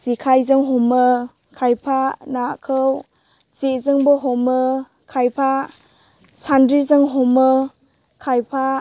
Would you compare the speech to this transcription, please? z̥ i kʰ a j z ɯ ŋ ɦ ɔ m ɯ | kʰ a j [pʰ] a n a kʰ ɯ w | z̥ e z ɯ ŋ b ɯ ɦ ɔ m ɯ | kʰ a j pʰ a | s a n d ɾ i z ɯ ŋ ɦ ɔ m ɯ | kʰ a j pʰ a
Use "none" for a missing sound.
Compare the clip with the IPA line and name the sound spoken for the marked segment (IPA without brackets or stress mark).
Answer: pʰ